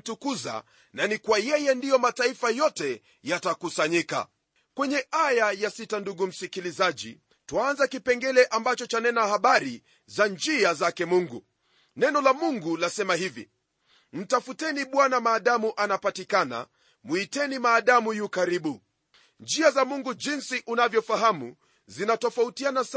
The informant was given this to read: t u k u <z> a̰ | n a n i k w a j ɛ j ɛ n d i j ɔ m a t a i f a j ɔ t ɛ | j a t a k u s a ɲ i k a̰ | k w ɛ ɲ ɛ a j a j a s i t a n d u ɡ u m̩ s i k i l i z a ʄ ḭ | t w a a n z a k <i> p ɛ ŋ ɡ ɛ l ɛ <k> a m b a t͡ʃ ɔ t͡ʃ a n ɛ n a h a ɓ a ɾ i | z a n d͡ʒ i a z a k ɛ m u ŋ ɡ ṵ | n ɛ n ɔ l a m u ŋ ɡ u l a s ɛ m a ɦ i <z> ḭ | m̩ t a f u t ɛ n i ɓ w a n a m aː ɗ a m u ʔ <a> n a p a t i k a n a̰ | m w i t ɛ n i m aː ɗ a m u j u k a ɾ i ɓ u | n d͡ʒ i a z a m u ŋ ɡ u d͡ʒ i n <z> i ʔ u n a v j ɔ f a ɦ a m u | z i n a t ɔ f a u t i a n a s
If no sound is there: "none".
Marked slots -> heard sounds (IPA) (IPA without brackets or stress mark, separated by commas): z, i, ʔ, v, a, s